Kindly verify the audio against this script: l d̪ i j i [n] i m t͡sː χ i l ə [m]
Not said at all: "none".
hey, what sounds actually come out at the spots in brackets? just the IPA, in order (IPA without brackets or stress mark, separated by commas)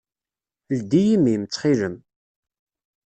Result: m, m